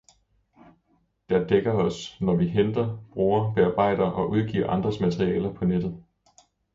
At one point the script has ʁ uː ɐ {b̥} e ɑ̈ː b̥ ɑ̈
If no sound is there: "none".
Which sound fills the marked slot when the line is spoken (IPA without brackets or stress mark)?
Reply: b̥